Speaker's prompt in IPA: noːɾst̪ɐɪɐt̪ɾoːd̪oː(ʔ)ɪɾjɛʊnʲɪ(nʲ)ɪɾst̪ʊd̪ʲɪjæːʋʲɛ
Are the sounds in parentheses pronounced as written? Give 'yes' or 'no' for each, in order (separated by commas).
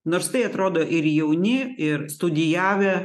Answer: yes, no